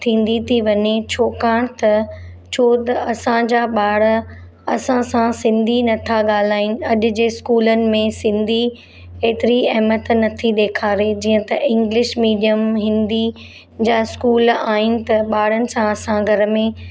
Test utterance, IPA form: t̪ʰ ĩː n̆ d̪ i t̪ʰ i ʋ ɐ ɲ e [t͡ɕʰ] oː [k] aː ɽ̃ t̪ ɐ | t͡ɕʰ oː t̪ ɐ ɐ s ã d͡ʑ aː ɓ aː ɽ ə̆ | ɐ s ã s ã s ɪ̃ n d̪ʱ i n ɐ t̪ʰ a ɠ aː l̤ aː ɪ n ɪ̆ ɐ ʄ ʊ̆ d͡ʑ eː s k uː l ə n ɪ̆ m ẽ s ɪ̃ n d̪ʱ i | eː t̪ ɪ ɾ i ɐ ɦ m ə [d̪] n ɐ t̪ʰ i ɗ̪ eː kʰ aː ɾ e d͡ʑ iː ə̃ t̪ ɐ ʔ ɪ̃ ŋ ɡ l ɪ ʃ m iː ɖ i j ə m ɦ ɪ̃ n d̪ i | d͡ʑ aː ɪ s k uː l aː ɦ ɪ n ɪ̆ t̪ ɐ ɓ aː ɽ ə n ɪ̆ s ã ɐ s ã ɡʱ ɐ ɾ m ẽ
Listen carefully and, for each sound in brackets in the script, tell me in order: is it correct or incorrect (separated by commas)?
correct, correct, incorrect